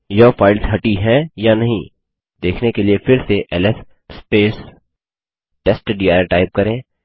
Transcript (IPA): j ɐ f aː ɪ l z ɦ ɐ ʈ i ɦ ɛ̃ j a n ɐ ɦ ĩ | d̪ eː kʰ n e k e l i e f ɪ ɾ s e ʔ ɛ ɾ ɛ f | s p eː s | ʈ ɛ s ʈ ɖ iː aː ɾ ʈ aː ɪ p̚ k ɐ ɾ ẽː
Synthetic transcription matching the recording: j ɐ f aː ɪ l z ɦ ɐ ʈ i ɦ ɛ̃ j a n ɐ ɦ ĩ | d̪ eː kʰ n e k e l i e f ɪ ɾ s e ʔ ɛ l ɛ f | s p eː s | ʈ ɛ s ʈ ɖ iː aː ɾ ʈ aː ɪ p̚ k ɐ ɾ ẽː